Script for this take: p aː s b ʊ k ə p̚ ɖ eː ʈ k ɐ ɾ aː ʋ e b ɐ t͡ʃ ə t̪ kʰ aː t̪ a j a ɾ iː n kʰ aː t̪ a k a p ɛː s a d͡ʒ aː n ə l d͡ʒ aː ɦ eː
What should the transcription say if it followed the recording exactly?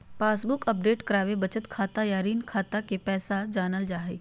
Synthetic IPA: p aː s b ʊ k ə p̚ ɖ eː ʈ k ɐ ɾ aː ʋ e b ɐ t͡ʃ ə t̪ kʰ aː t̪ a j a ɾ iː n kʰ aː t̪ a k e p ɛː s a d͡ʒ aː n ə l d͡ʒ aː ɦ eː